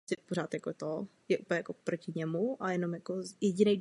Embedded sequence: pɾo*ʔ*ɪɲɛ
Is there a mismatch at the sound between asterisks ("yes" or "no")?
yes